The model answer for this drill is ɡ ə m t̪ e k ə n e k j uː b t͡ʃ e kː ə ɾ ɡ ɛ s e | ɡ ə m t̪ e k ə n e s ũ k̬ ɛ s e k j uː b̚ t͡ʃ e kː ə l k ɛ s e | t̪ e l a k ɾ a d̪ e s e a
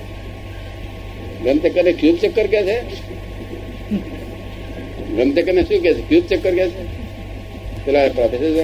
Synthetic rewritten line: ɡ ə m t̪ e k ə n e k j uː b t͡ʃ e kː ə ɾ k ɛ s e | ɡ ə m t̪ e k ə n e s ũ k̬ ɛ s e k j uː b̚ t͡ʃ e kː ə ɾ k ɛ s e | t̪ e l a p ɾ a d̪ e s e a